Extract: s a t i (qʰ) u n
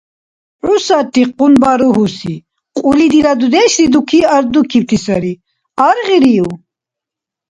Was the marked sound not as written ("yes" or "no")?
yes